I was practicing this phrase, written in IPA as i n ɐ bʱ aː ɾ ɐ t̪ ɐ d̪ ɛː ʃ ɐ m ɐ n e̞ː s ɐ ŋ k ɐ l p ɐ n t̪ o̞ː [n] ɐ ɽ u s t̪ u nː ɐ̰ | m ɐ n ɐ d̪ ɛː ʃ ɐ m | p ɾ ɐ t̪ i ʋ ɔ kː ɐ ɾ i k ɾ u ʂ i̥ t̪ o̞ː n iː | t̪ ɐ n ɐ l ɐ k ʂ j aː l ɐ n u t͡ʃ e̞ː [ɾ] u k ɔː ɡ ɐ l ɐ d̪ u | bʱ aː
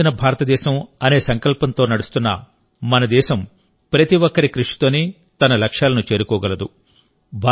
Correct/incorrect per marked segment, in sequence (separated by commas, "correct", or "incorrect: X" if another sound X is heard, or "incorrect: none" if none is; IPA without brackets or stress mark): correct, correct